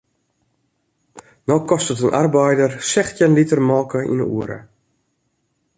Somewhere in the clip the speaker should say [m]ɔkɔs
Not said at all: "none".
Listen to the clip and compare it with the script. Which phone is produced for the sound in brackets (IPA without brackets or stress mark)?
n